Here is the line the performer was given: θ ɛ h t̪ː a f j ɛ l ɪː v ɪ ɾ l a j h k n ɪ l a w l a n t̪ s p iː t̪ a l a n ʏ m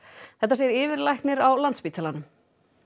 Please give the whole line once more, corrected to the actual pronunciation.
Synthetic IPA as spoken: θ ɛ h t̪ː a s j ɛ ɾ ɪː v ɪ ɾ l a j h k n ɪ ɾ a w l a n t̪ s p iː t̪ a l a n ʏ m